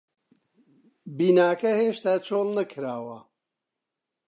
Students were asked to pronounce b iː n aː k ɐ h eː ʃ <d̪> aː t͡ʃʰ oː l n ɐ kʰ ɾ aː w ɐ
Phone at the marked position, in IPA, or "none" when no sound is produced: t̪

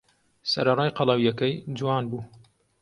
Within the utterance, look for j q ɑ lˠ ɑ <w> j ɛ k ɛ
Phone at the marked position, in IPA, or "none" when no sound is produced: w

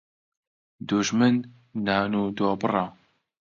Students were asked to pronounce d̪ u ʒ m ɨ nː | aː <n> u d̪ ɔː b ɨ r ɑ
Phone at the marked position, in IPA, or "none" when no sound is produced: n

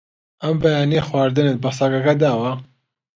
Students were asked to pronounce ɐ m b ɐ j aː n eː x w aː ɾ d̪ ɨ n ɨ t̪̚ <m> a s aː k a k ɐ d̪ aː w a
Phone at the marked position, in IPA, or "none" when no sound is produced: b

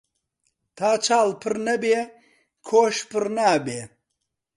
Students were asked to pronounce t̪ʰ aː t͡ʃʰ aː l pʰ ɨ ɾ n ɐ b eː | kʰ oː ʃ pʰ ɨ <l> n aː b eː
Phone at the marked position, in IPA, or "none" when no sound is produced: ɾ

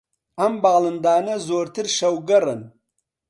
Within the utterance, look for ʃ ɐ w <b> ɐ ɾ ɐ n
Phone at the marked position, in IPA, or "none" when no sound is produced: ɡ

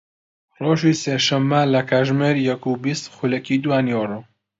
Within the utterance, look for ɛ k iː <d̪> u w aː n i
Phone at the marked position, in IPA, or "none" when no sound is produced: d̪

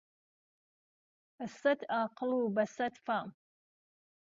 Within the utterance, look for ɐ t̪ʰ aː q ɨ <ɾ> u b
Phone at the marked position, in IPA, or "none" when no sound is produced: l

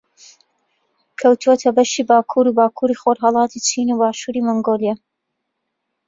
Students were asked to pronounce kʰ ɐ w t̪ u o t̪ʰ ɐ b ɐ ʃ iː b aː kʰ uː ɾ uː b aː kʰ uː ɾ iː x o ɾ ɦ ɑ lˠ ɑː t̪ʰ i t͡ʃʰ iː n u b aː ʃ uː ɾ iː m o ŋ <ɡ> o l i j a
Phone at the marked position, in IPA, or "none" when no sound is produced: ɡ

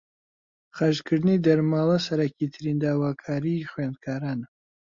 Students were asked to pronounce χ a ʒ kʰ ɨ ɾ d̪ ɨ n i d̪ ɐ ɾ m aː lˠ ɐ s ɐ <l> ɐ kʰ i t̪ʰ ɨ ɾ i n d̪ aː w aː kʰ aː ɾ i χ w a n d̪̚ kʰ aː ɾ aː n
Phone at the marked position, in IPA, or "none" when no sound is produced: ɾ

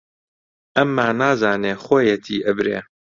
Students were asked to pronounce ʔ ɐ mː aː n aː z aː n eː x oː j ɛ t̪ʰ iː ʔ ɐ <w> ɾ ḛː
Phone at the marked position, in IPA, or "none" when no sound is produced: b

